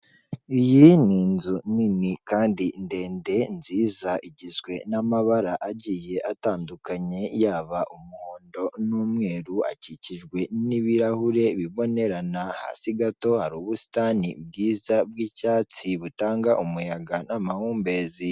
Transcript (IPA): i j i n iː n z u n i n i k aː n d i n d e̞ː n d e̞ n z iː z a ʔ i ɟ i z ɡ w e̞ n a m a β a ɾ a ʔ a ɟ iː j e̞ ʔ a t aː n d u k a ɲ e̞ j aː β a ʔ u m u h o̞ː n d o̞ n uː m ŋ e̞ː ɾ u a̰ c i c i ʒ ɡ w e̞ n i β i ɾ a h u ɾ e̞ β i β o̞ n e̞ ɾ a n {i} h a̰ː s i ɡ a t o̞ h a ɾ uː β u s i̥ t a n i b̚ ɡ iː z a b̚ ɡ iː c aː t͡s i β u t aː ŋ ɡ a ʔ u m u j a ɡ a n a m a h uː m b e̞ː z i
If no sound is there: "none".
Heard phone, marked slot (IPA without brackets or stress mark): a